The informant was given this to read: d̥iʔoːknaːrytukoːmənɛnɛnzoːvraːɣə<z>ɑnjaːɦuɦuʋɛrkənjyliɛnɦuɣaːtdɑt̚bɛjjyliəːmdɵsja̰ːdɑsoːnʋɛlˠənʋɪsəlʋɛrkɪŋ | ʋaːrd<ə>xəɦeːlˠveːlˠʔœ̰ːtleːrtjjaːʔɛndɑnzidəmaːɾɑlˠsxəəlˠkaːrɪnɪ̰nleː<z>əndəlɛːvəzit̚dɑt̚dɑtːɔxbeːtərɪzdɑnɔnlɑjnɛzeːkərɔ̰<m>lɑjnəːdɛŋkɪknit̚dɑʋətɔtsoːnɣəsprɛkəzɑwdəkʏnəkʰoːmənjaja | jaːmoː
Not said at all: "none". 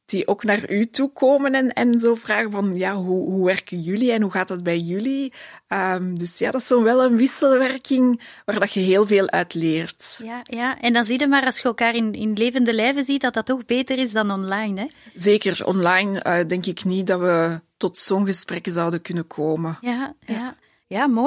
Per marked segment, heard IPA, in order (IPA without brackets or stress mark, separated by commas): v, ɑ, v, n